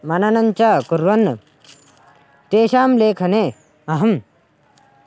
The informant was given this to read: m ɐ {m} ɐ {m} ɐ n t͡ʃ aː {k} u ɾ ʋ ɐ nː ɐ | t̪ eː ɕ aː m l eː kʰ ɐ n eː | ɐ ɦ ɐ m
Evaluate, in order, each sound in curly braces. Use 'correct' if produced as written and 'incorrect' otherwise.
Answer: incorrect: n, incorrect: n, correct

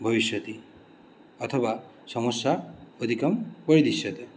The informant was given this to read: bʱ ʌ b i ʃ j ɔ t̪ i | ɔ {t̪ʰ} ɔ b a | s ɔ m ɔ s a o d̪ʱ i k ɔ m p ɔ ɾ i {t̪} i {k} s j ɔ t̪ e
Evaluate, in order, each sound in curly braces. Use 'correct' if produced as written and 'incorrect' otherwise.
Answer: correct, incorrect: d̪, incorrect: none

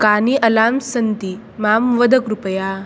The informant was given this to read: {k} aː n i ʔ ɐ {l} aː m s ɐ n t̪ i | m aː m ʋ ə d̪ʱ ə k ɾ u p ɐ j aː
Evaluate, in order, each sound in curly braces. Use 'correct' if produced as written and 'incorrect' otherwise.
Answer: correct, correct

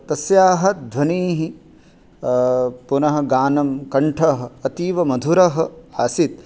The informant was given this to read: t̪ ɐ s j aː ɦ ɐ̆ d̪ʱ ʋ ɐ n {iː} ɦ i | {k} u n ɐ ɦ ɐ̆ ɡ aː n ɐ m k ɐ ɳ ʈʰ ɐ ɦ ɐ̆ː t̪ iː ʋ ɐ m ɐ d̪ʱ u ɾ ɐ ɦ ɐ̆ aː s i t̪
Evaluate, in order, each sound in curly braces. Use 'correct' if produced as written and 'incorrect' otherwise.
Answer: correct, incorrect: p

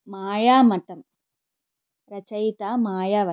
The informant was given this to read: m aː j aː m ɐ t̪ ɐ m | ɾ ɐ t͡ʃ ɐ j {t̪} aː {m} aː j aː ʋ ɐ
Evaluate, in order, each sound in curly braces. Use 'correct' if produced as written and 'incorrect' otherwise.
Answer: correct, correct

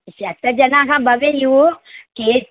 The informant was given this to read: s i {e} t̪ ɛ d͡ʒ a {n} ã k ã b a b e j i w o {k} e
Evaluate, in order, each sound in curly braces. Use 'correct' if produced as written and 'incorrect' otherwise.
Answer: incorrect: a, correct, correct

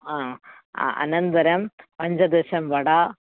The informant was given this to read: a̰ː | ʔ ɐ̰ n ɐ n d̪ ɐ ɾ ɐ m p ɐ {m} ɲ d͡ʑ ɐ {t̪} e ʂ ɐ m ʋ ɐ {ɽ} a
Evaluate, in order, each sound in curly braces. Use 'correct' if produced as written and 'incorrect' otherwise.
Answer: incorrect: none, incorrect: d̪, correct

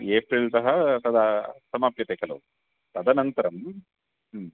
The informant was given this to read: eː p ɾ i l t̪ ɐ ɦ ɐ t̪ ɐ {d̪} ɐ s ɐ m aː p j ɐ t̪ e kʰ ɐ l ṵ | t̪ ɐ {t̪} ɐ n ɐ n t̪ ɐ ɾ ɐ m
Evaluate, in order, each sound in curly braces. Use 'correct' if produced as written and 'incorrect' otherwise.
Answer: correct, incorrect: d̪

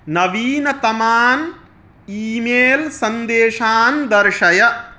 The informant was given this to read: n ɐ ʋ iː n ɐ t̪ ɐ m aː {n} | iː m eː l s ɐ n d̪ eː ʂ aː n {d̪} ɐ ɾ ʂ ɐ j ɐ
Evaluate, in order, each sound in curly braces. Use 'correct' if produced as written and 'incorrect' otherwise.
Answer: correct, correct

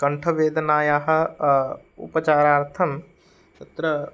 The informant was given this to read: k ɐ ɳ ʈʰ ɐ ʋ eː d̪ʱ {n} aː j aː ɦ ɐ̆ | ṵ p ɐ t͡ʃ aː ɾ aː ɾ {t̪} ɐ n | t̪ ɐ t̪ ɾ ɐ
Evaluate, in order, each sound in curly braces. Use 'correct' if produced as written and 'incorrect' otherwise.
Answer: correct, incorrect: t̪ʰ

